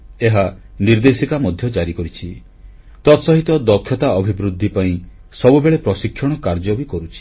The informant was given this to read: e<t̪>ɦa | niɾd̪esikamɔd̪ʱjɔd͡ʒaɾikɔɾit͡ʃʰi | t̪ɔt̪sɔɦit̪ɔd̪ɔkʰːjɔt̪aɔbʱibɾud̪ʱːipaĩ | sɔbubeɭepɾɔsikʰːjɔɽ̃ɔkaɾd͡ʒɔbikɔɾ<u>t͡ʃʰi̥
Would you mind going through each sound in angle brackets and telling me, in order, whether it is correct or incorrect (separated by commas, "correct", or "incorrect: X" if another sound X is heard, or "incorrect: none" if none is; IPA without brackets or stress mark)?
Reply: incorrect: none, correct